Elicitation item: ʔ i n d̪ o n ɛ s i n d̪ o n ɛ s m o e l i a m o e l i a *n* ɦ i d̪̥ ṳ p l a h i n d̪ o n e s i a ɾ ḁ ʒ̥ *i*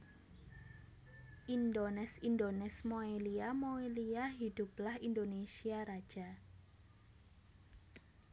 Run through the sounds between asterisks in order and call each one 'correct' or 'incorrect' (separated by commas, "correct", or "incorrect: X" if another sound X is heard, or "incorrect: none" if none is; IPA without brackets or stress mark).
incorrect: none, incorrect: a